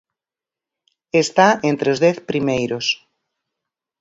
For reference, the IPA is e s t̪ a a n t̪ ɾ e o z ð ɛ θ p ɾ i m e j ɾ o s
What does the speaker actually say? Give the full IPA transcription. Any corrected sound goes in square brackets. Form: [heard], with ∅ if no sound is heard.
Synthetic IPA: e s t̪ a [e] n t̪ ɾ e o z ð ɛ θ p ɾ i m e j ɾ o s